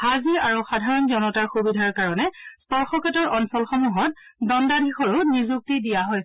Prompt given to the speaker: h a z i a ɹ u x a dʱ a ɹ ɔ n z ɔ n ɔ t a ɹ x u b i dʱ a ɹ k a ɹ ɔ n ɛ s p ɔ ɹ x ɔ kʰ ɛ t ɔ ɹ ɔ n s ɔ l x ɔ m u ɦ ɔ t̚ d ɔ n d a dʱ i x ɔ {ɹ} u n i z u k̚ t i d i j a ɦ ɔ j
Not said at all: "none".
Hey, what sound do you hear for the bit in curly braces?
ɹ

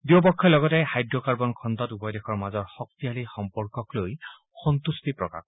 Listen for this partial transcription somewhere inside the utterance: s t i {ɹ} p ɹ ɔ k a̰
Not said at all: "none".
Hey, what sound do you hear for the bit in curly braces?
none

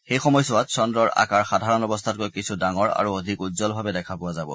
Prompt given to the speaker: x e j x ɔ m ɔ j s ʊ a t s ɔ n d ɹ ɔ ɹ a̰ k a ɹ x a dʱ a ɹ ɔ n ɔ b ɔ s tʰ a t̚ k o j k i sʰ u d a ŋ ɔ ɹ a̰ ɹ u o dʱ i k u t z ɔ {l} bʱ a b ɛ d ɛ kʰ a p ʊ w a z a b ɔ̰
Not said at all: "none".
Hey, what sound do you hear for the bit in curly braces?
l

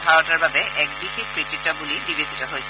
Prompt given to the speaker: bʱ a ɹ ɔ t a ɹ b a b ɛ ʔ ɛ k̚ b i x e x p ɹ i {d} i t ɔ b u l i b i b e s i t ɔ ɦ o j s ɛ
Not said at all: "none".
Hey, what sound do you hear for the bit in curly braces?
t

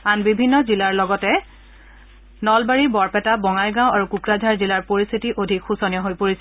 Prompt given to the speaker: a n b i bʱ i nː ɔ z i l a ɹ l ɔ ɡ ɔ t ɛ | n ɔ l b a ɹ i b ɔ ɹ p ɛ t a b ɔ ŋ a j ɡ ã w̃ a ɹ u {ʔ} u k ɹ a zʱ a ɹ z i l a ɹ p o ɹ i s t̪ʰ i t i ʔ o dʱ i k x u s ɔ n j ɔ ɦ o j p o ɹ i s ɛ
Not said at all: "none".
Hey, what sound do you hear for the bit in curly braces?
k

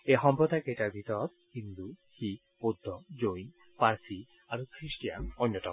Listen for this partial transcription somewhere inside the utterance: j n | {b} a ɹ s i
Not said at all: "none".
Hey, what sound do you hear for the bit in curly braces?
p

